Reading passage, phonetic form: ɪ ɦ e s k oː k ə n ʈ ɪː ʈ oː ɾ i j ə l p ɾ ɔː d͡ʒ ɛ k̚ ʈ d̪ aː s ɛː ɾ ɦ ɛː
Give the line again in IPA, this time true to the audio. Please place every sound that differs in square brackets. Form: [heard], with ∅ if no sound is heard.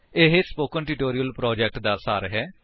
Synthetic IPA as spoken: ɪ ɦ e s [p] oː k ə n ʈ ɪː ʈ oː ɾ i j ə l p ɾ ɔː d͡ʒ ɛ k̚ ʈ d̪ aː s [aː] ɾ ɦ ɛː

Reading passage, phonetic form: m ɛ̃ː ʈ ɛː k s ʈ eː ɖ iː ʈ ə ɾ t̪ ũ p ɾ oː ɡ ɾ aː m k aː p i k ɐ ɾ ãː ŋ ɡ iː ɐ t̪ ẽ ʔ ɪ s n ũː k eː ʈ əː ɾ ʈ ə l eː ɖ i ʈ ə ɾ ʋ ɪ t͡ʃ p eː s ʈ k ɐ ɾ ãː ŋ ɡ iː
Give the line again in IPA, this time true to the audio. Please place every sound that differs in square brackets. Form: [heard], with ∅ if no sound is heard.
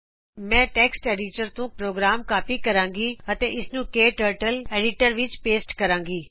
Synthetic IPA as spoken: m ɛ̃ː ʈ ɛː k s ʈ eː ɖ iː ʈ ə ɾ t̪ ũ p ɾ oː ɡ ɾ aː m k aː p i k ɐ ɾ ãː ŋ ɡ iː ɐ t̪ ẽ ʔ ɪ s n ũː k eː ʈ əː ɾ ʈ ə l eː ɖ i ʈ ə ɾ ʋ ɪ t͡ʃ p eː s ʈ k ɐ ɾ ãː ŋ ɡ iː

